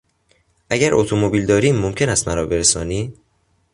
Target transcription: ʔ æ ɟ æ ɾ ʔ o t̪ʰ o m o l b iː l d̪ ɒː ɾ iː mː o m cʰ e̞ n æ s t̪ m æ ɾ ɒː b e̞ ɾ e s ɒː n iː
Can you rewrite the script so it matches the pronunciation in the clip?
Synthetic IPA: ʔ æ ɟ æ ɾ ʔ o t̪ʰ o m o b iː l d̪ ɒː ɾ iː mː o m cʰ e̞ n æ s t̪ m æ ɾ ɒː b e̞ ɾ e s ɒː n iː